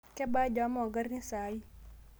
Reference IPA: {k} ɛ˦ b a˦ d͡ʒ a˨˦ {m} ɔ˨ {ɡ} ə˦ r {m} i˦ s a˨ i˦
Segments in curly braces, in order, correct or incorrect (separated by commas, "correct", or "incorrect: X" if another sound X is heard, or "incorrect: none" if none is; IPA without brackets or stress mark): correct, correct, correct, incorrect: n